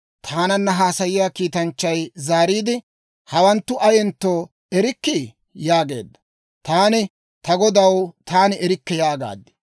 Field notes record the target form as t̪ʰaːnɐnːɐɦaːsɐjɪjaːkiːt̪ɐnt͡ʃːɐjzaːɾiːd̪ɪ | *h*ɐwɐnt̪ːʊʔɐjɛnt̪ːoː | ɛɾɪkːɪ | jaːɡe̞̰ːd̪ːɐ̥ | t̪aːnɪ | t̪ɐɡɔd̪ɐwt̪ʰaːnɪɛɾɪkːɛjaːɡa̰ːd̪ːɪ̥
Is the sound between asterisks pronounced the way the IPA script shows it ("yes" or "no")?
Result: yes